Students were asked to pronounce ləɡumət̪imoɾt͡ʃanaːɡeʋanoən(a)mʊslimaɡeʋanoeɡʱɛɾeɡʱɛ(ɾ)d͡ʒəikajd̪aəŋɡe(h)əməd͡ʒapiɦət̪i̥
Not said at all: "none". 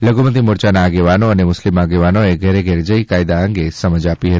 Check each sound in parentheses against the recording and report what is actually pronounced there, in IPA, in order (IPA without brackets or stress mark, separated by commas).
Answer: e, ɾ, s